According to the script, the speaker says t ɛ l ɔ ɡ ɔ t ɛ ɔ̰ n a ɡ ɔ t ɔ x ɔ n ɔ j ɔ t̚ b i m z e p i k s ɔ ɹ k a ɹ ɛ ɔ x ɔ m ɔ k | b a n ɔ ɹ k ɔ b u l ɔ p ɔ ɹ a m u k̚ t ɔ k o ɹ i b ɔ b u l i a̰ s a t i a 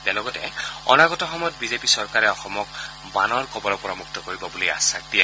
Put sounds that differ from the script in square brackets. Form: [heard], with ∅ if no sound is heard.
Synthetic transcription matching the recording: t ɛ l ɔ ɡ ɔ t ɛ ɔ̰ n a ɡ ɔ t ɔ x ɔ [m] ɔ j ɔ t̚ b i [∅] z e p i [∅] s ɔ ɹ k a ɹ ɛ ɔ x ɔ m ɔ k | b a n ɔ ɹ k ɔ b [ɔ] l ɔ p ɔ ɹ a m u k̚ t ɔ k o ɹ i b ɔ b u l i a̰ s a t i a